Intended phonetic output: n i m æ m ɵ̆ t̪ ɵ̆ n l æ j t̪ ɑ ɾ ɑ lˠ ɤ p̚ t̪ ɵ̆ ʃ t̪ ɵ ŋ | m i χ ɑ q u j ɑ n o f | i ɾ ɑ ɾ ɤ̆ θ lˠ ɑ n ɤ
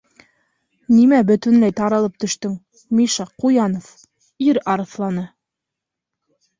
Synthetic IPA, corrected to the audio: n i m æ b ɵ̆ t̪ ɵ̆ n l æ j t̪ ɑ ɾ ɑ lˠ ɤ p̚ t̪ ɵ̆ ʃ t̪ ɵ ŋ | m i ʃ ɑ q u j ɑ n o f | i ɾ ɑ ɾ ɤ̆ θ lˠ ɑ n ɤ